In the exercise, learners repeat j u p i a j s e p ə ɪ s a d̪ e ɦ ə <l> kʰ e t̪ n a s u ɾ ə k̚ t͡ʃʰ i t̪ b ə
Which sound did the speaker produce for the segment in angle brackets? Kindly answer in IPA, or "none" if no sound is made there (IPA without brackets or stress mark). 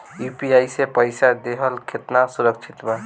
l